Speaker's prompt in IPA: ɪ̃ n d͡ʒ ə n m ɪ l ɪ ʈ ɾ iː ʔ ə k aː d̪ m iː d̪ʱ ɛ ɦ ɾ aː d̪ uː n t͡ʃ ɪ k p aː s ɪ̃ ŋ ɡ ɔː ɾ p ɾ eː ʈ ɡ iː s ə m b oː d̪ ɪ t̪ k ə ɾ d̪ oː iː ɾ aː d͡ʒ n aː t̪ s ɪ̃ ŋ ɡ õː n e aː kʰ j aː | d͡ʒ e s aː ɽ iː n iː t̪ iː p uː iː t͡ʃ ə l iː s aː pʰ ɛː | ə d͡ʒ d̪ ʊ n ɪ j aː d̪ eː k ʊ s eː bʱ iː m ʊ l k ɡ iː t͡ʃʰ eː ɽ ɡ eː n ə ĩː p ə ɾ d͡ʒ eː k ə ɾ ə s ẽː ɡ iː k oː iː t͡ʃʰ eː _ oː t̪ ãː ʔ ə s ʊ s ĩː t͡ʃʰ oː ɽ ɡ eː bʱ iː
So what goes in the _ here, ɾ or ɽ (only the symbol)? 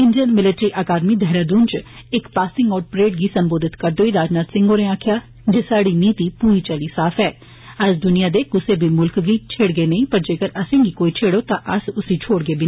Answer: ɽ